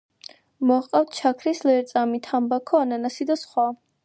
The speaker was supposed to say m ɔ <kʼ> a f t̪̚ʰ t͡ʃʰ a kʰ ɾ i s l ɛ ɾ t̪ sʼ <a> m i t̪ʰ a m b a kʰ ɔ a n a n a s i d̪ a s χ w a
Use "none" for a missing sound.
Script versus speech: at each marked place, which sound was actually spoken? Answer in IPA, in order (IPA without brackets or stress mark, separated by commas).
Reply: qʼ, a